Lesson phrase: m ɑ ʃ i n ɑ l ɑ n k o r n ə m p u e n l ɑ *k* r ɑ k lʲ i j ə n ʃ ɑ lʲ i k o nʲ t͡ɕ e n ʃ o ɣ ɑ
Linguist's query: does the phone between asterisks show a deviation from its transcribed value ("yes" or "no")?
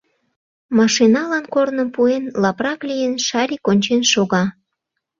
yes